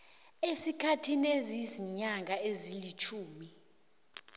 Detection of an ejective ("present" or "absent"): absent